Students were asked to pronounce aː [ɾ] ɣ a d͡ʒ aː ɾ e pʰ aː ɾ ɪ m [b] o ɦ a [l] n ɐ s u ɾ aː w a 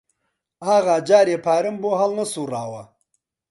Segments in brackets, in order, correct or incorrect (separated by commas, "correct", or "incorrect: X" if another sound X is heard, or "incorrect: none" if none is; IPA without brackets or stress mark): incorrect: none, correct, correct